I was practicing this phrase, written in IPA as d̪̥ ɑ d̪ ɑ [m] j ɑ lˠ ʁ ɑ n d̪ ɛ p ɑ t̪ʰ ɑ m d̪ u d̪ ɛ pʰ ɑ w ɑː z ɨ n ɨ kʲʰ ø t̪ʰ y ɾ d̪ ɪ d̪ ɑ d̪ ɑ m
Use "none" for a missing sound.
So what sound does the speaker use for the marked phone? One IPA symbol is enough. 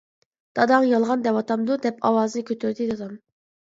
ŋ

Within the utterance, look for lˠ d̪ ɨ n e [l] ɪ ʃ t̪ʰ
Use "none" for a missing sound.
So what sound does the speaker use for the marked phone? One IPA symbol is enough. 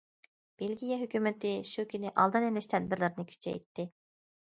l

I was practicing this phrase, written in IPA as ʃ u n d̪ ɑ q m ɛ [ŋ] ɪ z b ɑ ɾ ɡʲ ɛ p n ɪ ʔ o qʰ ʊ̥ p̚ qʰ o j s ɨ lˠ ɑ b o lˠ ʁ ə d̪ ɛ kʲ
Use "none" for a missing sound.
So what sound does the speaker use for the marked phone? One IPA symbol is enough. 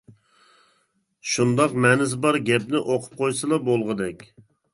n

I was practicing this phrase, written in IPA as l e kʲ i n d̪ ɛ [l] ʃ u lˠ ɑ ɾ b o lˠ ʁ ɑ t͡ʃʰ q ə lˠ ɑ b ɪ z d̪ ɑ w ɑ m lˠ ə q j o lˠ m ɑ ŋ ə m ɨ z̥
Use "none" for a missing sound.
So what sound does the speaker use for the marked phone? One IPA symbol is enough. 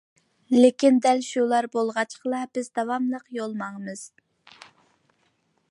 l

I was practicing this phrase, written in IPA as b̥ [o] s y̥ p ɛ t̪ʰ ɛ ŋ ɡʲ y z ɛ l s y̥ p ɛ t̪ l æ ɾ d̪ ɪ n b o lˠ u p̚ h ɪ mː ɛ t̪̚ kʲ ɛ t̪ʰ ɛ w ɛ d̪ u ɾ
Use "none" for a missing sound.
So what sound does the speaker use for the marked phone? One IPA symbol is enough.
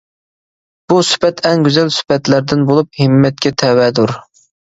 u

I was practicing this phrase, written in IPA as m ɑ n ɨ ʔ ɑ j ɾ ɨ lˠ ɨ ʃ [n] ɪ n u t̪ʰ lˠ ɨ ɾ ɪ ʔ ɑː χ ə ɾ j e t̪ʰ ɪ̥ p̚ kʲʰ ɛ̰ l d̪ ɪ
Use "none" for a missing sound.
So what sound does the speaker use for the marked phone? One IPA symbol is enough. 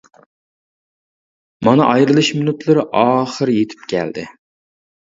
m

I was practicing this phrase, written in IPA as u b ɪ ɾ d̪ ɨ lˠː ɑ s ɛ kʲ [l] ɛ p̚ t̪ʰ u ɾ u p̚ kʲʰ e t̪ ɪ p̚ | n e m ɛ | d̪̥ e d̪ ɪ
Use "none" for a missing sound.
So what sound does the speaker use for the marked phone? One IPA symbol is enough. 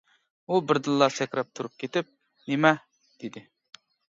ɾ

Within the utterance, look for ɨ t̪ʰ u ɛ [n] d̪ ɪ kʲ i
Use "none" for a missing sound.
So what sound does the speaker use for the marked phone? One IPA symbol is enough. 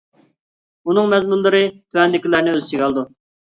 n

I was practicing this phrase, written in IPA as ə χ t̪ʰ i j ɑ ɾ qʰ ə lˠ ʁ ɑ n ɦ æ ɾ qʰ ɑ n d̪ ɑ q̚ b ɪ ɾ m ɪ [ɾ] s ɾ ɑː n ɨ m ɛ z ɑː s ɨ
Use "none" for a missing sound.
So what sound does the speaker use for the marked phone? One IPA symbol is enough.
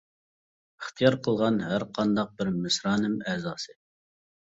none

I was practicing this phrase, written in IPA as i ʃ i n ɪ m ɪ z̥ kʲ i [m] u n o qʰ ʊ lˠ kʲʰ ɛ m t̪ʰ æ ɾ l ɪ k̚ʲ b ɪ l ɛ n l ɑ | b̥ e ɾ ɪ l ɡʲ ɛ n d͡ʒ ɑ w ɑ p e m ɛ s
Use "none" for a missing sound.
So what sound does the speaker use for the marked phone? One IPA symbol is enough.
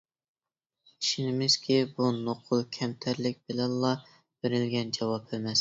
b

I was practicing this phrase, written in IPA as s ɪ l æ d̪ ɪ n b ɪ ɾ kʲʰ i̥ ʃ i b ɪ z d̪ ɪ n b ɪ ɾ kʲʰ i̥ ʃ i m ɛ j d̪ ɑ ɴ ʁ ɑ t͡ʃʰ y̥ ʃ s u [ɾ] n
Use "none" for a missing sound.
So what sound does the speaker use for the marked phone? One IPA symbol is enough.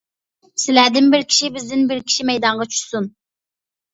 none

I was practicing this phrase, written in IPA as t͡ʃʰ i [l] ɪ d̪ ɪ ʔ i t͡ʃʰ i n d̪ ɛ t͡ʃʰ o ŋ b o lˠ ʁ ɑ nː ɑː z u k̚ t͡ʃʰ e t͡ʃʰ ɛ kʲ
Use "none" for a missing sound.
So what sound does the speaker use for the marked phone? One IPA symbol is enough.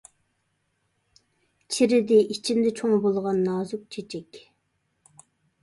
ɾ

